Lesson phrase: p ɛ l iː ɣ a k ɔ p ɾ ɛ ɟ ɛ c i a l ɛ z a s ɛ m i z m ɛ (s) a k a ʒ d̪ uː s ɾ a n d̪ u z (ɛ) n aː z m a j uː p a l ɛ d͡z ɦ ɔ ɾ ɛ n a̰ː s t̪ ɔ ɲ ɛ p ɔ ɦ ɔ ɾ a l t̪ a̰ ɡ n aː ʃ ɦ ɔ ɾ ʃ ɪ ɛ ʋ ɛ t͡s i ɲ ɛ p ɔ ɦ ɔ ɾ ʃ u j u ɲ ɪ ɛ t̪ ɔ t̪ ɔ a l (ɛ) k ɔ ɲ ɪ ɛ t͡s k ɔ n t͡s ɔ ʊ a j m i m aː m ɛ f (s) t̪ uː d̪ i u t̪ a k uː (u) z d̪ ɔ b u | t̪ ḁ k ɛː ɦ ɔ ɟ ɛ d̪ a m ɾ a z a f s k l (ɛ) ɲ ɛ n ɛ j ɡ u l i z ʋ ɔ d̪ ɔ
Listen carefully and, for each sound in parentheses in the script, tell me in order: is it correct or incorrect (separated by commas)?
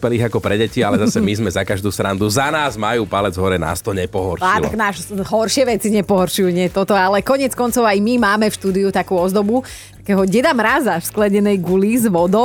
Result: incorrect, incorrect, correct, incorrect, incorrect, correct